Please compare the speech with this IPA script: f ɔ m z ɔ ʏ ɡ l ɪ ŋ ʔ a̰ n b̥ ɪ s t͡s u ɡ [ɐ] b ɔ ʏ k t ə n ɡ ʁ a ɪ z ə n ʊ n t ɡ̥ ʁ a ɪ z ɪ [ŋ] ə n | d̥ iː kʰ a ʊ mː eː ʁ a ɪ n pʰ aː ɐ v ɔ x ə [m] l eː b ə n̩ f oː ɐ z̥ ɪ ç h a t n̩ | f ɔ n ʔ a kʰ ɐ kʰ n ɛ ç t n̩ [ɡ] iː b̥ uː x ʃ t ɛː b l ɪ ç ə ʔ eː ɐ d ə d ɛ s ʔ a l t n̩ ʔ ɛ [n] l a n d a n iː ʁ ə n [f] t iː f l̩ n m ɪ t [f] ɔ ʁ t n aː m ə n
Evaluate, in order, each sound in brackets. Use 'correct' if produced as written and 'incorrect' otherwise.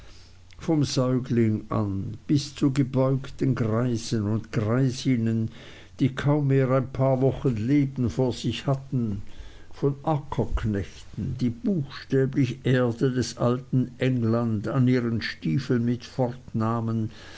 incorrect: ə, incorrect: n, incorrect: n, incorrect: d, incorrect: ŋ, incorrect: ʃ, correct

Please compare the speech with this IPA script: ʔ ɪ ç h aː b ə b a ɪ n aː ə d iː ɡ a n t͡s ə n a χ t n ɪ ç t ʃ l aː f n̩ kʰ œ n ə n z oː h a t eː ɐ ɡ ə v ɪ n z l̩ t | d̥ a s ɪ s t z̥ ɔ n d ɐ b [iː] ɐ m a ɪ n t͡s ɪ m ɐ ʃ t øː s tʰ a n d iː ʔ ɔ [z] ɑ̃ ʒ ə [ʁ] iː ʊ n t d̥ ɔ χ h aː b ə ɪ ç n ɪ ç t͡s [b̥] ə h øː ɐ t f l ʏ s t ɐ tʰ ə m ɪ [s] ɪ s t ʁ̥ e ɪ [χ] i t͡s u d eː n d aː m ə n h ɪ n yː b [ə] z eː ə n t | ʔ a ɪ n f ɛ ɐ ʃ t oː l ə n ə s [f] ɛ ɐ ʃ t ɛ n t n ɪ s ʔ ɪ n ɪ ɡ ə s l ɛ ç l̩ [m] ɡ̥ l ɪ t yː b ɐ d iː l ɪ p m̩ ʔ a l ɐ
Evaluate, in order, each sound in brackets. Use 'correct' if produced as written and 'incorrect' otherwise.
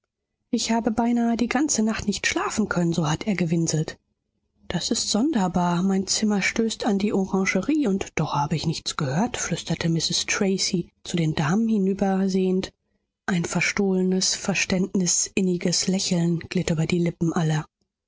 incorrect: aː, incorrect: ʁ, correct, incorrect: ɡ̥, correct, incorrect: s, incorrect: ɐ, correct, incorrect: n

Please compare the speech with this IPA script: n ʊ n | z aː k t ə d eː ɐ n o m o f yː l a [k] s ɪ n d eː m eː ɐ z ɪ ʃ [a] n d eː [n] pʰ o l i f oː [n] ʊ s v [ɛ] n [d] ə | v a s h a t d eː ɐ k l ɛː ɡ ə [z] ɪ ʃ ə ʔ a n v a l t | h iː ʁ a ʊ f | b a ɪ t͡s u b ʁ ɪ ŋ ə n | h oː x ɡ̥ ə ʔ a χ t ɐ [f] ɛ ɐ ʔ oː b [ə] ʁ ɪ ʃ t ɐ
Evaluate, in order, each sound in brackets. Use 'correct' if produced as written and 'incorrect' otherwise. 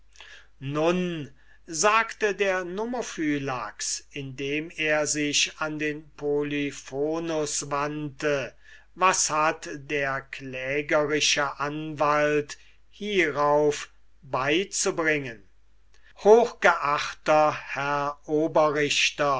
correct, correct, correct, correct, incorrect: a, incorrect: t, incorrect: ʁ, incorrect: h, incorrect: ɐ

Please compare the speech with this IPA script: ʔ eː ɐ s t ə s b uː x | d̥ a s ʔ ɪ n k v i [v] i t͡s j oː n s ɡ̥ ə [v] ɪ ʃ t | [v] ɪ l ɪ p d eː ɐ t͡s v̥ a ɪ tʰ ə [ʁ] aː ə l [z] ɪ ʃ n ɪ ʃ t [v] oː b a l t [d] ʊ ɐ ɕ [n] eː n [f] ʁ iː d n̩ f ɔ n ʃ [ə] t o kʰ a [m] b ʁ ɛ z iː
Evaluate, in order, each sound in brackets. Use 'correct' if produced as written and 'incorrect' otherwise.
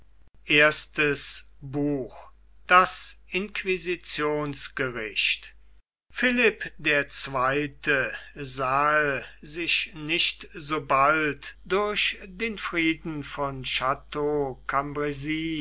incorrect: z, incorrect: ʁ, incorrect: f, incorrect: z, correct, incorrect: z, correct, incorrect: d, correct, incorrect: a, correct

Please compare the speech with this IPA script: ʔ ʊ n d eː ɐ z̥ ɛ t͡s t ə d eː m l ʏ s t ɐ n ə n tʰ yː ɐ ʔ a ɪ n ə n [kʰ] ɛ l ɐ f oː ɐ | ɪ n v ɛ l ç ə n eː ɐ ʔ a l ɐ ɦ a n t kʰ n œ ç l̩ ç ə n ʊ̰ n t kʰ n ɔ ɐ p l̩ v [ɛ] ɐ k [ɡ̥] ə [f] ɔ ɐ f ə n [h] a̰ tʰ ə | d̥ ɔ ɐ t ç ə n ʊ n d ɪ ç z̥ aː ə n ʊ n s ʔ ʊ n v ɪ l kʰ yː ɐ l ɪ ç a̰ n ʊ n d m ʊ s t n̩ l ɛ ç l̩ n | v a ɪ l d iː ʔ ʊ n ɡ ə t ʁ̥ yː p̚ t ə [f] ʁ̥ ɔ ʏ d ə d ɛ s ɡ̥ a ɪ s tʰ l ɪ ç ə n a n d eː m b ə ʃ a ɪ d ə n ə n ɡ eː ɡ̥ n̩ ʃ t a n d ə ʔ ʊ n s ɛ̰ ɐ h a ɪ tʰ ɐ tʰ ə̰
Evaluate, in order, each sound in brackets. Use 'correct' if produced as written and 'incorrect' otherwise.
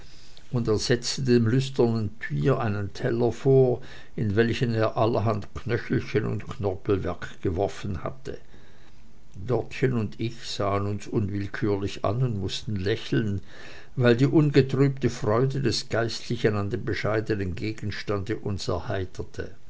incorrect: tʰ, correct, correct, incorrect: v, correct, correct

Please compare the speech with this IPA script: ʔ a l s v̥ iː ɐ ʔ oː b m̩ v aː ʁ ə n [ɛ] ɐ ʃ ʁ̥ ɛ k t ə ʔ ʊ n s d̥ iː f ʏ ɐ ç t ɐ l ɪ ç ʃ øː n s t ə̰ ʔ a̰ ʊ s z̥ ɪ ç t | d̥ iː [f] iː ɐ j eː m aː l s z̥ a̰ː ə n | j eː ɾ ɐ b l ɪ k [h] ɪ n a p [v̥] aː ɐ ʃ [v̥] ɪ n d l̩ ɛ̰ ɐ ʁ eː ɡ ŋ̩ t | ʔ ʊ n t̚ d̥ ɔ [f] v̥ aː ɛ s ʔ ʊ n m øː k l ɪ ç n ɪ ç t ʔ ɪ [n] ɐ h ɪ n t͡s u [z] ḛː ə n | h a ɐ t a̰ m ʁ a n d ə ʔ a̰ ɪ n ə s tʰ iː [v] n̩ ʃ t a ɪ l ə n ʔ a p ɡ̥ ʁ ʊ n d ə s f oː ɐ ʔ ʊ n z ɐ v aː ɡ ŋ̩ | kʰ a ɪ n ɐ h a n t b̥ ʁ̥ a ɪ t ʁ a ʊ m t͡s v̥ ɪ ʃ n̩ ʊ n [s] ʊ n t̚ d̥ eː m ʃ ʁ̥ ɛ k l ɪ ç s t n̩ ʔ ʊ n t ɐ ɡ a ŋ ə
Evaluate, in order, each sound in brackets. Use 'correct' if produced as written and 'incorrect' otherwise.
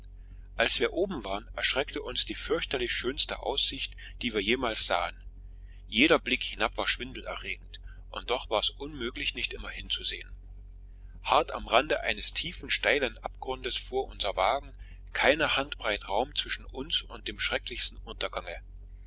correct, incorrect: v, correct, correct, correct, incorrect: χ, incorrect: m, correct, incorrect: f, correct

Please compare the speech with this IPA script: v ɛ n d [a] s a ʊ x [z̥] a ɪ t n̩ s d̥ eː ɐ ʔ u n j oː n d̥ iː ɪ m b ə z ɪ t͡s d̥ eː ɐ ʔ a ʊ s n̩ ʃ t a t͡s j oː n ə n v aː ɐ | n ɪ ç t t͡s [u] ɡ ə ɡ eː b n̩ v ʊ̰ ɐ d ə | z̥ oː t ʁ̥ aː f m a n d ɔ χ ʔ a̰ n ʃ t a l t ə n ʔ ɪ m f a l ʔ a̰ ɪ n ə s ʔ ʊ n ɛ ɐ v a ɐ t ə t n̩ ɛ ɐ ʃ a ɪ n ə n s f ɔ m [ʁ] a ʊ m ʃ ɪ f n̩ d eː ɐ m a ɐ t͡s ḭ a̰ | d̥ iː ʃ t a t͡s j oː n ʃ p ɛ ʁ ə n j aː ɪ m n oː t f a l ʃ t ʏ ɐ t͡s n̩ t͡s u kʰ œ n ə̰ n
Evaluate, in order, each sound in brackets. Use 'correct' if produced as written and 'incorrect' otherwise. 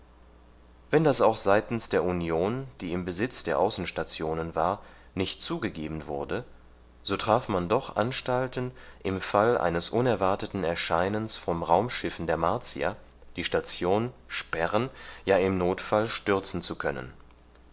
correct, correct, incorrect: uː, correct

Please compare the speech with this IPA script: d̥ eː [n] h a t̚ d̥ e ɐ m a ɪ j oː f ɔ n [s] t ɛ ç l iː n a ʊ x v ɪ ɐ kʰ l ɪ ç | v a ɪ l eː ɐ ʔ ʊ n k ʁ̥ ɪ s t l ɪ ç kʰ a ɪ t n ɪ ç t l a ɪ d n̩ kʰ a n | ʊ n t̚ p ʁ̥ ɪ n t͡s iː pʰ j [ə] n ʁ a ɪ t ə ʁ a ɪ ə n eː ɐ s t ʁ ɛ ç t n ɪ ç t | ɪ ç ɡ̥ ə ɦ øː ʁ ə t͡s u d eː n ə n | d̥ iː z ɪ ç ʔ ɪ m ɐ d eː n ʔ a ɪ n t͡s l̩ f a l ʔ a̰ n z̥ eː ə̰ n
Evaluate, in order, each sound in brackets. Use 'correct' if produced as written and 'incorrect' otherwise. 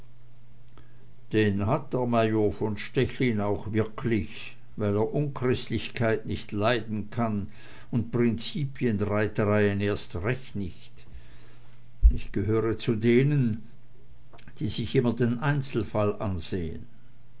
correct, incorrect: ʃ, correct

